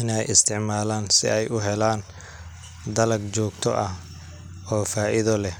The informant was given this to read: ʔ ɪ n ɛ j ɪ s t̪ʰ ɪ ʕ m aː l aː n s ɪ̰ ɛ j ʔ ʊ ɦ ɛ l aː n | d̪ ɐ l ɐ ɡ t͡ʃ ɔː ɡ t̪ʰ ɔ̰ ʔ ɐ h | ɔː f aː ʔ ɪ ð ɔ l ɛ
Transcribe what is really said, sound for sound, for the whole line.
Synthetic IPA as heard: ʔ ɪ n ɛ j ɪ s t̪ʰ ɪ ʕ m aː l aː n s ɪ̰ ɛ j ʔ ʊ ɦ ɛ l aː n | d̪ ɐ l ɐ ɡ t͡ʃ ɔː ɡ t̪ʰ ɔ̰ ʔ ɐ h | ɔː f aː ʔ ɪ ð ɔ l ɛ